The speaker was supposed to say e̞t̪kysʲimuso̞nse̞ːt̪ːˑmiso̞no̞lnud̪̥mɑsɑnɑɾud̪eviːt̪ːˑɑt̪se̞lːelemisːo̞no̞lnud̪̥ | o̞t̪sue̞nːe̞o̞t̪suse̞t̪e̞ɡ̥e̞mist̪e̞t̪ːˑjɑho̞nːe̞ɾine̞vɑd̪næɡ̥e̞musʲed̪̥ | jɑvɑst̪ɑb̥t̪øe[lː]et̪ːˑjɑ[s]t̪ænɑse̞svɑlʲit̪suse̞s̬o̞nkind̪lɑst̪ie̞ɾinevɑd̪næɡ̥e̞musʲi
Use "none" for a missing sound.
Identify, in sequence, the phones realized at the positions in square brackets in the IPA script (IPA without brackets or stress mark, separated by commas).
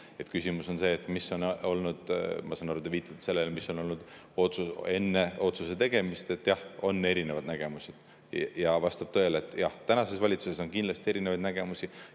l, h